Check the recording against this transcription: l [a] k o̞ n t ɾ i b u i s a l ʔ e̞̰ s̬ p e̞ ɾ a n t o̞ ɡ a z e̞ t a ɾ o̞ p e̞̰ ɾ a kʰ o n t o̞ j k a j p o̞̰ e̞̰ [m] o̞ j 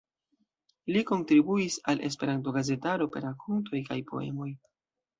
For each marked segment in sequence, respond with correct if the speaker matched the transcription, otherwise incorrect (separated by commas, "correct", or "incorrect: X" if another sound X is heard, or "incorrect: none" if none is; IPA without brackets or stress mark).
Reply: incorrect: i, correct